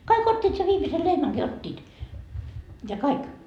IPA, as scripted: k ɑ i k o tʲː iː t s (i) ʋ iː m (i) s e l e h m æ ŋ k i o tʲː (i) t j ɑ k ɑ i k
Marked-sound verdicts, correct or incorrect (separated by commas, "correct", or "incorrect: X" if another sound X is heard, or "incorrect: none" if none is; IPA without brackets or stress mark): incorrect: e, correct, incorrect: iː